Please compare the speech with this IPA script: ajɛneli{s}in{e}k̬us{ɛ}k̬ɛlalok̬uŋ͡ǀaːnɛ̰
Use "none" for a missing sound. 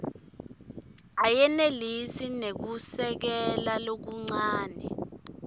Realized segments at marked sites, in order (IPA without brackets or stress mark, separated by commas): s, e, ɛ